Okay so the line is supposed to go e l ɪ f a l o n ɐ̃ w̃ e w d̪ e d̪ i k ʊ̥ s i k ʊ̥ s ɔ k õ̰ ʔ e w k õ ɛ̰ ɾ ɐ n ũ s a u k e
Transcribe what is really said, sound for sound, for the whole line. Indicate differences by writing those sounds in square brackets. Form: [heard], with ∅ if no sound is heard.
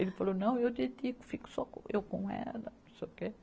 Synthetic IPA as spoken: e l ɪ f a l o n ɐ̃ w̃ e w d̪ e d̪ i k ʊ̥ [f] i k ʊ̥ s ɔ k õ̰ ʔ e w k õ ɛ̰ [l] ɐ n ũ s [e] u k e

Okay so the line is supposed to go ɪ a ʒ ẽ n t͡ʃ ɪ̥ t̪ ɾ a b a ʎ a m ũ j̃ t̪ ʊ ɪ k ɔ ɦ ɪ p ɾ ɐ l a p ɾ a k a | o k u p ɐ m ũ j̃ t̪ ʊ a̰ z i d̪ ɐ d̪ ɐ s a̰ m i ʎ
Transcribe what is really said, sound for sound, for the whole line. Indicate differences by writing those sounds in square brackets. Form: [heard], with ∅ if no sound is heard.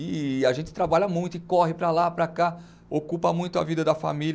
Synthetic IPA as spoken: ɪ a ʒ ẽ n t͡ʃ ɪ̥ t̪ ɾ a b a ʎ [ɐ] m ũ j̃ t̪ ʊ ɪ k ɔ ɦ ɪ p ɾ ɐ l a p ɾ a k a | o k u p ɐ m ũ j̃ t̪ ʊ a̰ [v] i d̪ ɐ d̪ ɐ [f] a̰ m i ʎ

